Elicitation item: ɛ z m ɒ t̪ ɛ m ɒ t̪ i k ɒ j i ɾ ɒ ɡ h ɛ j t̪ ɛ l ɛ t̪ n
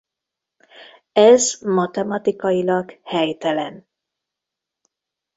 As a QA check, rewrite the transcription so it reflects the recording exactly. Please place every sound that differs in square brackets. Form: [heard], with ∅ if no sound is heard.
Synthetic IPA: ɛ z m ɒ t̪ ɛ m ɒ t̪ i k ɒ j i [l] ɒ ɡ h ɛ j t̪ ɛ l ɛ [∅] n